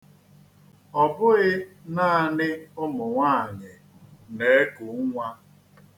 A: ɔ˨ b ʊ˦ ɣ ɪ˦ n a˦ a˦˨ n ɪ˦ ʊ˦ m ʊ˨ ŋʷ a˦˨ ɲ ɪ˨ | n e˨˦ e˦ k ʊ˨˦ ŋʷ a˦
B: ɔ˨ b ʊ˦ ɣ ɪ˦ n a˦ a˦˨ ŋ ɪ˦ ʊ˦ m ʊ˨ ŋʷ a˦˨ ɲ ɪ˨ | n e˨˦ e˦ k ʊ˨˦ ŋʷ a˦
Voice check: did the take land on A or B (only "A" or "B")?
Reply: A